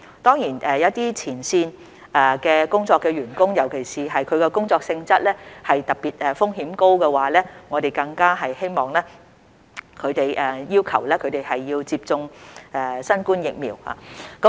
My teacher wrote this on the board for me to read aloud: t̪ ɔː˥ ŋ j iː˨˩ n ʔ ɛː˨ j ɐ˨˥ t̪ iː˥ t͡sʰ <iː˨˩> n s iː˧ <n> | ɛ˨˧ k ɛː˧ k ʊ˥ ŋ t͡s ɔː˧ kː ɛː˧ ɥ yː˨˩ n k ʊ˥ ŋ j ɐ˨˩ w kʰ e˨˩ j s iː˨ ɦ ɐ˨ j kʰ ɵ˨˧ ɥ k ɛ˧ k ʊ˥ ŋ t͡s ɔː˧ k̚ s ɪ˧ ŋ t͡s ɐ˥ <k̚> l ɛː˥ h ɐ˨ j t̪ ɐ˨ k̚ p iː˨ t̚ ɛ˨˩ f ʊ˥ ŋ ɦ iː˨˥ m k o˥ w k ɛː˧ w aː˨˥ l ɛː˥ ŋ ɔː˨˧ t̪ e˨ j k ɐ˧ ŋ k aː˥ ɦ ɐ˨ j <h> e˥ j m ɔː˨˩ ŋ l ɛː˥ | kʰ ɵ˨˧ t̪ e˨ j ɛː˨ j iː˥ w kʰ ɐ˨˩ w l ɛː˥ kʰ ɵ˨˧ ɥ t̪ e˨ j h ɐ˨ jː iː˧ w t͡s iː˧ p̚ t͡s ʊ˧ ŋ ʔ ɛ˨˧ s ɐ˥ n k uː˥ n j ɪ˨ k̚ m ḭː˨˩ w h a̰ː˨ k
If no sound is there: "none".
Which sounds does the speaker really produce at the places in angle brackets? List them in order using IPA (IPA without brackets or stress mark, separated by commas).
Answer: iː˨˩, n, t̚, h